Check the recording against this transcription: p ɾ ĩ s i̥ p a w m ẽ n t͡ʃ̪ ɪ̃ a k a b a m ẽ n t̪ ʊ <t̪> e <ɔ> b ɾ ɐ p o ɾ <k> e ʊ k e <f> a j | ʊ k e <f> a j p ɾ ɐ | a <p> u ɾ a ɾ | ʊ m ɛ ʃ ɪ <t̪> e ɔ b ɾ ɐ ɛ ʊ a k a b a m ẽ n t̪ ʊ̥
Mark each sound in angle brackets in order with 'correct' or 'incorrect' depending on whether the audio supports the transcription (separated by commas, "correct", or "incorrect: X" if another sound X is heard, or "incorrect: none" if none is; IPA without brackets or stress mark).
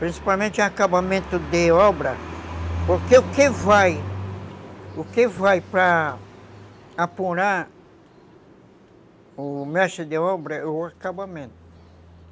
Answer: incorrect: d̪, correct, correct, incorrect: v, incorrect: v, correct, incorrect: d̪